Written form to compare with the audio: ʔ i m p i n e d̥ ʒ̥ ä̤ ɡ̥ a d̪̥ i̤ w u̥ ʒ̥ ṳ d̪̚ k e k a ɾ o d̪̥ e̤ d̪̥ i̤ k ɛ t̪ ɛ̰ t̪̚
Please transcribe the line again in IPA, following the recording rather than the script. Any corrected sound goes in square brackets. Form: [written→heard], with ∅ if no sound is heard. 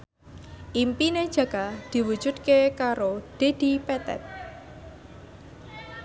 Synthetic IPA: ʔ i m p i n e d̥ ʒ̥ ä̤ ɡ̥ a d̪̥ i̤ w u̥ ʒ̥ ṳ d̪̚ k e k a ɾ o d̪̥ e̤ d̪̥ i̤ [k→p] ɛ t̪ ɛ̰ t̪̚